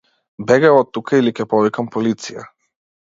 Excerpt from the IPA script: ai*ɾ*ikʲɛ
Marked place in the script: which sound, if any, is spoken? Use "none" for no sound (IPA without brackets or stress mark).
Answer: l